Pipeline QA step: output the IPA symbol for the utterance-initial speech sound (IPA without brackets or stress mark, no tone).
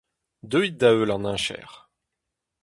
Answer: d̪